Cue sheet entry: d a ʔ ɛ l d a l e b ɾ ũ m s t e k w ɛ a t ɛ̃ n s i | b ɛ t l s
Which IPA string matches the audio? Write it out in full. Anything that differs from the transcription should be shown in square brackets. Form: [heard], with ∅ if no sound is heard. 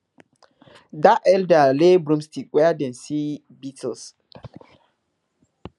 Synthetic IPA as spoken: d a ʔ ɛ l d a l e b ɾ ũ m s t [i] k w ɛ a [d] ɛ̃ n s i | b [i] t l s